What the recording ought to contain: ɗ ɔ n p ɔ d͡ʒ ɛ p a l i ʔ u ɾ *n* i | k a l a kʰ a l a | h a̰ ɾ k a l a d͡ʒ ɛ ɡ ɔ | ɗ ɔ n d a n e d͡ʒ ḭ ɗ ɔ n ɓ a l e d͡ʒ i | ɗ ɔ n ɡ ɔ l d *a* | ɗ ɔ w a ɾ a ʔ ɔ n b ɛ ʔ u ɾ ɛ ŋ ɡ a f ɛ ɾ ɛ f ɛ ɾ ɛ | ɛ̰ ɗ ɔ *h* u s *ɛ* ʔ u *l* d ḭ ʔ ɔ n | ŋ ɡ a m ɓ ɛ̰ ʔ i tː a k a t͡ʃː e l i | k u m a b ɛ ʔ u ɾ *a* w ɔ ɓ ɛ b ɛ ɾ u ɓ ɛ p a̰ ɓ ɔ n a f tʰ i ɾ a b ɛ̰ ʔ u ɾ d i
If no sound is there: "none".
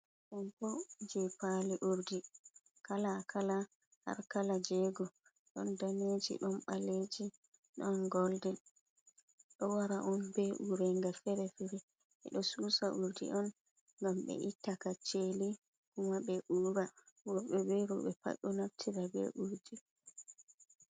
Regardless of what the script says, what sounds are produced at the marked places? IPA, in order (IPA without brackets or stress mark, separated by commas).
d, ɛ, s, a, ɾ, a